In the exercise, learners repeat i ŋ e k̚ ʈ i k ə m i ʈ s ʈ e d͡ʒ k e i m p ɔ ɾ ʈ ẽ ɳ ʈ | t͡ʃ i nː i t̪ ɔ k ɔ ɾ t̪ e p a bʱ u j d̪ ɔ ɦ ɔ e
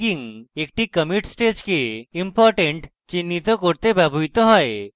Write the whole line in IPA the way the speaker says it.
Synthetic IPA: i ŋ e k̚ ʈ i k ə m i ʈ s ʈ e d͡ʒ k e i m p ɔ ɾ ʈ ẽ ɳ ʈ | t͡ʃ i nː i t̪ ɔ k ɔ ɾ t̪ e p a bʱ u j t̪ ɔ ɦ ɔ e